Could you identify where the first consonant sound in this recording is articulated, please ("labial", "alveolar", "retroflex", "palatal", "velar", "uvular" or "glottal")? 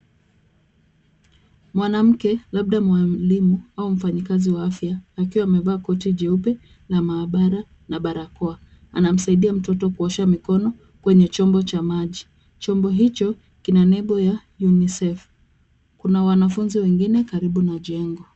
labial